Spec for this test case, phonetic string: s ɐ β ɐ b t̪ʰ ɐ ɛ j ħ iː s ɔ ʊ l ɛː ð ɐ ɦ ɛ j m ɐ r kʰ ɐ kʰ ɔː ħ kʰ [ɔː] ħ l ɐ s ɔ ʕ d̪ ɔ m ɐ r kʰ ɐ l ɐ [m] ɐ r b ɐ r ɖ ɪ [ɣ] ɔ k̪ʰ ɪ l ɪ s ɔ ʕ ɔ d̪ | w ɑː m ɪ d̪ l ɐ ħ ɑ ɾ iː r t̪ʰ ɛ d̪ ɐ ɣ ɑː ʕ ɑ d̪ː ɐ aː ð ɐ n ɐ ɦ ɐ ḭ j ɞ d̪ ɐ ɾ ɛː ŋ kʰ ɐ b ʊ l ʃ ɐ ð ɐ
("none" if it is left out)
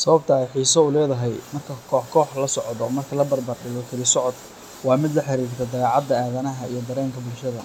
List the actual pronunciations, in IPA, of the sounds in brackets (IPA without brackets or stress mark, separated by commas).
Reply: ɔː, b, ɣ